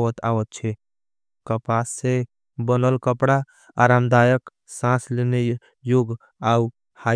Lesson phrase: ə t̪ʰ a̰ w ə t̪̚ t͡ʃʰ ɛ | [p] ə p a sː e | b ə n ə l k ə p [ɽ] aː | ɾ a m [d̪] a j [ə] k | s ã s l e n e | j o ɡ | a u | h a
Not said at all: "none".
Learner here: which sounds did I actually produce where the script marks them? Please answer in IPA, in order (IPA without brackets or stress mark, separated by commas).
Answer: k, ɽ, d̪, ə